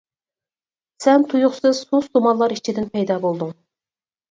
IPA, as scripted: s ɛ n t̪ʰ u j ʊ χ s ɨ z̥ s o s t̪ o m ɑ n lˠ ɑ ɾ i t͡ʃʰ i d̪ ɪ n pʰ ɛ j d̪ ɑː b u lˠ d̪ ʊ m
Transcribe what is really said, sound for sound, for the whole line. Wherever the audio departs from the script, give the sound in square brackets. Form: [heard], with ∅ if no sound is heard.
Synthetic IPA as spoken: s ɛ n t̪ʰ u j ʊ χ s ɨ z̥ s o s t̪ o m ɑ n lˠ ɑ ɾ i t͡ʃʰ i d̪ ɪ n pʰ ɛ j d̪ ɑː b [o] lˠ d̪ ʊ [ŋ]